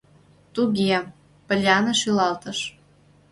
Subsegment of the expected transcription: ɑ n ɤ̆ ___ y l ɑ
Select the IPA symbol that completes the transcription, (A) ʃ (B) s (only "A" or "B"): A